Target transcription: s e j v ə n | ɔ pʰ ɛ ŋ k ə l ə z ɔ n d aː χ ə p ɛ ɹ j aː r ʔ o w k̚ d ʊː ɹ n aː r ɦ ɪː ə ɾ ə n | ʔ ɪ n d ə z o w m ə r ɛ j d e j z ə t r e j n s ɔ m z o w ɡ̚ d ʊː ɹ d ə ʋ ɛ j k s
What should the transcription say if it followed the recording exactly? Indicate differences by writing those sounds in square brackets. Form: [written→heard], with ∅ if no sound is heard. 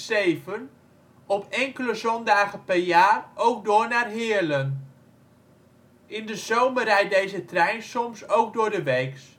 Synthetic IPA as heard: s e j v ə n | ɔ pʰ ɛ ŋ k ə l ə z ɔ n d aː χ ə p ɛ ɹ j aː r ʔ o w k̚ d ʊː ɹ n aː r ɦ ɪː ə [ɾ→l] ə n | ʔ ɪ n d ə z o w m ə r ɛ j d e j z ə t r [e→ɛ] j n s ɔ m [z→s] o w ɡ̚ d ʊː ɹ d ə ʋ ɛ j k s